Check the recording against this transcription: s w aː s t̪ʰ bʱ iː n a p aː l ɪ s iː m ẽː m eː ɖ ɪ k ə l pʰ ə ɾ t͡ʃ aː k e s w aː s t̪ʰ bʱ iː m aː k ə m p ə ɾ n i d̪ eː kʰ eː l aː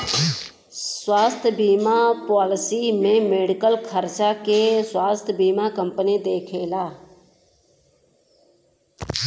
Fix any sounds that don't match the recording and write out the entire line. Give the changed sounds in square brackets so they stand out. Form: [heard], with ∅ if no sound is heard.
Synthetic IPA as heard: s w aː s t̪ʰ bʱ iː [m] a p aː l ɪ s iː m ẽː m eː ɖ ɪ k ə l [kʰ] ə ɾ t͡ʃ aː k e s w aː s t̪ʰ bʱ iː m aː k ə m p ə [∅] n i d̪ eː kʰ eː l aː

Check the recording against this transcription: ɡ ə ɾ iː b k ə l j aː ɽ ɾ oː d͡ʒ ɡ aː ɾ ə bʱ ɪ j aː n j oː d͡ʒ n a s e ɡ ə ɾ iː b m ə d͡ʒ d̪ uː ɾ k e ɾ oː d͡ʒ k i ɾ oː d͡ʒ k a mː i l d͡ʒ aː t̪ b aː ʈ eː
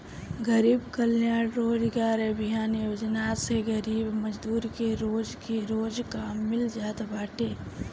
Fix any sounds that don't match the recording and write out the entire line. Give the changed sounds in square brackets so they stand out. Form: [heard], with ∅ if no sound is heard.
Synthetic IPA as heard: ɡ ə ɾ iː b k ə l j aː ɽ ɾ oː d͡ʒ ɡ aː ɾ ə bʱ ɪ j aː n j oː d͡ʒ n a s e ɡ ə ɾ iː b m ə d͡ʒ d̪ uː ɾ k e ɾ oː d͡ʒ k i ɾ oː d͡ʒ k a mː [ɪ] l d͡ʒ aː t̪ b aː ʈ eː

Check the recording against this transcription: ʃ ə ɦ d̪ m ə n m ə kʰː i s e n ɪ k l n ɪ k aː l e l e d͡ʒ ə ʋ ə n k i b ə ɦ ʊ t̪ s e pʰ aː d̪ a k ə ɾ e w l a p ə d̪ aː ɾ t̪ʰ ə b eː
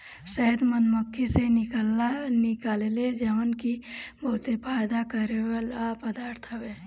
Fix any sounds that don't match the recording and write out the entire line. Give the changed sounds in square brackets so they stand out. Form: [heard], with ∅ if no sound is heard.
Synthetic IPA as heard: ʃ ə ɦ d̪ m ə n m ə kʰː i s e n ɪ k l n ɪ k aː l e l e d͡ʒ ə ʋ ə n k i b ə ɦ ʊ t̪ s e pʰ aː d̪ a k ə ɾ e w l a p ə d̪ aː ɾ t̪ʰ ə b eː

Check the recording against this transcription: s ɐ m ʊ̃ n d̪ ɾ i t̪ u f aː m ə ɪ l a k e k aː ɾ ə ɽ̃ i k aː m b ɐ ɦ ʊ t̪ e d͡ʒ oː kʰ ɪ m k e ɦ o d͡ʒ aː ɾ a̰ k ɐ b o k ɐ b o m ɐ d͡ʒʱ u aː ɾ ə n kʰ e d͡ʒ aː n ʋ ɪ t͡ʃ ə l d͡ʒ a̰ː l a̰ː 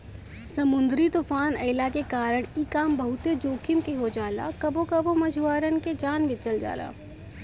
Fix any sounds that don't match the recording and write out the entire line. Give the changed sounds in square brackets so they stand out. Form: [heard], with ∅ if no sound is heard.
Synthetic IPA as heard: s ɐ m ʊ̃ n d̪ ɾ i t̪ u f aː [n] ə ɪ l a k e k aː ɾ ə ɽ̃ i k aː m b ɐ ɦ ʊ t̪ e d͡ʒ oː kʰ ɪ m k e ɦ o d͡ʒ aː [l] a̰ k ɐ b o k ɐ b o m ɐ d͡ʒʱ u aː ɾ ə n [k] e d͡ʒ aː n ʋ ɪ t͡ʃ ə l d͡ʒ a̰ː l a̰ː

